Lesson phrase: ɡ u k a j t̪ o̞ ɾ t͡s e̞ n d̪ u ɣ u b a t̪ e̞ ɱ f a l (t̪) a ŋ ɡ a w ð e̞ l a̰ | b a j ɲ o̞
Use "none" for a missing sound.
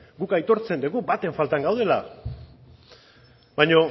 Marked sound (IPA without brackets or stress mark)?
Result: t̪